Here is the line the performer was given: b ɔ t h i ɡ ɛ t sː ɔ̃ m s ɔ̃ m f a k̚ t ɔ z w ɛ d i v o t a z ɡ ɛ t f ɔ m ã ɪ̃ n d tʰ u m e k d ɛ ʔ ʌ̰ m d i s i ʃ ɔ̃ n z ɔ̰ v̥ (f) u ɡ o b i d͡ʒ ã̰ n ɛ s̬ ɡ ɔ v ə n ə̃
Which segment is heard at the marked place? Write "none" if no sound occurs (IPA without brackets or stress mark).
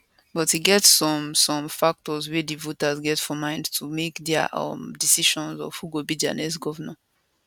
h